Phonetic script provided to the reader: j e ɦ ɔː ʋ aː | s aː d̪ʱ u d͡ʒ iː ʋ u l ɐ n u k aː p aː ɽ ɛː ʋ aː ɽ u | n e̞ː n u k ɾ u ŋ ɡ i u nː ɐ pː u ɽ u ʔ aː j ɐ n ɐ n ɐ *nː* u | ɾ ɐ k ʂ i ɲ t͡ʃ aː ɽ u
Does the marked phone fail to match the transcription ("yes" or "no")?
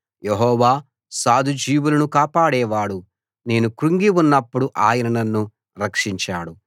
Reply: no